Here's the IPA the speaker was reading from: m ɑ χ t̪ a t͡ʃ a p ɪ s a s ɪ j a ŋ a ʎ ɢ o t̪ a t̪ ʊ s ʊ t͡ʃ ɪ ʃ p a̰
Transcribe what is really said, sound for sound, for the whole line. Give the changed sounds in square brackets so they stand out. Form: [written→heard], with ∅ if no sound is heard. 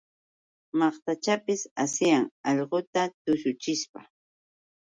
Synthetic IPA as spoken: m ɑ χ t̪ a t͡ʃ a p ɪ s a s ɪ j a ŋ [a→ɑ] ʎ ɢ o t̪ a t̪ ʊ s ʊ t͡ʃ ɪ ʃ p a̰